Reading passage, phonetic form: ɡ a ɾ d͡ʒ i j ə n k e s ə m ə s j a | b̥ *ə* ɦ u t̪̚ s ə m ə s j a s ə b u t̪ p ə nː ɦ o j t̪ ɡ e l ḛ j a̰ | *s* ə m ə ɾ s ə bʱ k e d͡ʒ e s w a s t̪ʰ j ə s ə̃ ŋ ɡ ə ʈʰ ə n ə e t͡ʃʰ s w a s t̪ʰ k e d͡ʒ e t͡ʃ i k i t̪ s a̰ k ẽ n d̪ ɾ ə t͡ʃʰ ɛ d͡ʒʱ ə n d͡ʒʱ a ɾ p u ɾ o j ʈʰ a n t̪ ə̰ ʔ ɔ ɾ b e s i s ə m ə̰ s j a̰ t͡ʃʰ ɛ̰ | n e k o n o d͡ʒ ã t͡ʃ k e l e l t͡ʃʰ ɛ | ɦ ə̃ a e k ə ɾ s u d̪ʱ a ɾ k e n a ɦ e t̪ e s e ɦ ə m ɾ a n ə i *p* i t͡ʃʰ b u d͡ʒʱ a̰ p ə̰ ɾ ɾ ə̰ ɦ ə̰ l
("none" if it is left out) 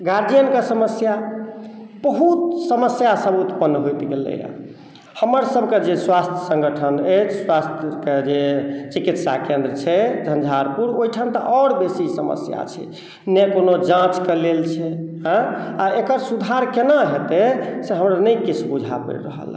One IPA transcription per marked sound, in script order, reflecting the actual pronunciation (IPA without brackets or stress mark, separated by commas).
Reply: ə, h, k